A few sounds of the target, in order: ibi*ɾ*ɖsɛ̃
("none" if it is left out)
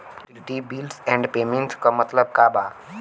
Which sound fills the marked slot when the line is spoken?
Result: l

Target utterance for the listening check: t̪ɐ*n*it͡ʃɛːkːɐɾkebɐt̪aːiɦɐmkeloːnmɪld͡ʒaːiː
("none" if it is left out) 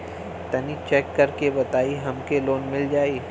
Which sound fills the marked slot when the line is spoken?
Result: n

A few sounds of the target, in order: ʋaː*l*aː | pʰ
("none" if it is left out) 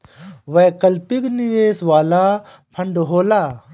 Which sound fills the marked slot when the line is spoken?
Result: l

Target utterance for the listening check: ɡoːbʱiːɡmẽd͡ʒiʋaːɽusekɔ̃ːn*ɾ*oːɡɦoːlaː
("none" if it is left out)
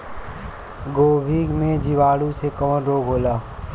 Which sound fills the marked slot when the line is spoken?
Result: ɾ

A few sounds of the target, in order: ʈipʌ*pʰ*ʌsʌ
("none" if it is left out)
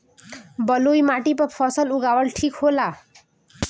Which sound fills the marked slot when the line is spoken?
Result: pʰ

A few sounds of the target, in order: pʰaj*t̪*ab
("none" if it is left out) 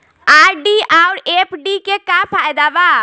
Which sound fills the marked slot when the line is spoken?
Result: d̪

